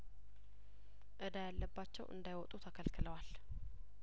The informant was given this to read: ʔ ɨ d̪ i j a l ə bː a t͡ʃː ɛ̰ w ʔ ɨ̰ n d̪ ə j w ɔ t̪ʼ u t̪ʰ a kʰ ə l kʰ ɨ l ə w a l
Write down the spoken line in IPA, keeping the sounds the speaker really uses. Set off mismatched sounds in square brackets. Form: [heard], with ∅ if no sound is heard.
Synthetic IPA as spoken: ʔ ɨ d̪ [a] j a [lː] ə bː a t͡ʃː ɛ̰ w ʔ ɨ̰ n d̪ [a] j w ɔ t̪ʼ u t̪ʰ a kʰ ə l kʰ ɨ l ə w a l